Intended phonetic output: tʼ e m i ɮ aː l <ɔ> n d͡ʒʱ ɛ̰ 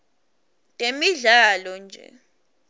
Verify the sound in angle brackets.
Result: correct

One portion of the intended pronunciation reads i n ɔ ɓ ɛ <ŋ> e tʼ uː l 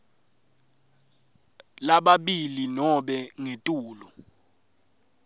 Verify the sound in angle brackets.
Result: correct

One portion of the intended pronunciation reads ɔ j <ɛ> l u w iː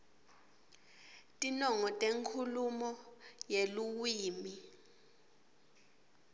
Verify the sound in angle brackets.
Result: incorrect: e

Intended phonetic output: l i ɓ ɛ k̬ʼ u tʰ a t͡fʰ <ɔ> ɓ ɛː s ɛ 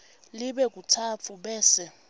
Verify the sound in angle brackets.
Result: incorrect: u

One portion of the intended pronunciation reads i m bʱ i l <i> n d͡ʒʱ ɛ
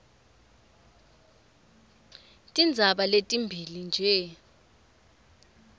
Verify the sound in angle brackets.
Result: correct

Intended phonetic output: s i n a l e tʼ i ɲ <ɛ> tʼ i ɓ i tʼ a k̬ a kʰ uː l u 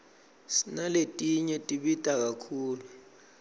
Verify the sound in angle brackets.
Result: correct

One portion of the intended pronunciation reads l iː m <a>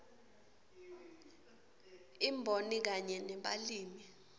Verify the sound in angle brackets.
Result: incorrect: i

